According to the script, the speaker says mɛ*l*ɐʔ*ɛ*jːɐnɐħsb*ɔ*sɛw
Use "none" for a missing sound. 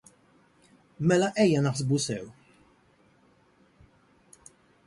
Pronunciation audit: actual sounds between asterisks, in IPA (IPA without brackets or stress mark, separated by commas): l, ɛ, u